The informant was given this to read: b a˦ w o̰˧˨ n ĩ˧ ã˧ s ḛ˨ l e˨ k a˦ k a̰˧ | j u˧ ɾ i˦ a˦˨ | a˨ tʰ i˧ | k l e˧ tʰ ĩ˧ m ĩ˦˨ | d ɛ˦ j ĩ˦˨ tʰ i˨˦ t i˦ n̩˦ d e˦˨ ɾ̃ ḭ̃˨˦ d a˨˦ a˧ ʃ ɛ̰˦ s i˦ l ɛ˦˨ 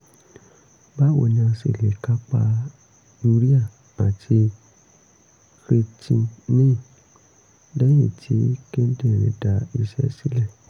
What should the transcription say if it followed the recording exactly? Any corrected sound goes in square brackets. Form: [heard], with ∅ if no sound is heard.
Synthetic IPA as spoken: b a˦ w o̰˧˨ n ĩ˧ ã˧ s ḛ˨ l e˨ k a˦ [k͡p] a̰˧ | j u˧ ɾ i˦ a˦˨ | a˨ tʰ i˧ | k [ɾ] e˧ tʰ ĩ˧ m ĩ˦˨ | d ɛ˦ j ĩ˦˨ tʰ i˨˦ [k] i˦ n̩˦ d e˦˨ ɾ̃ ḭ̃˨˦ d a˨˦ [i˧] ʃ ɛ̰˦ s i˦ l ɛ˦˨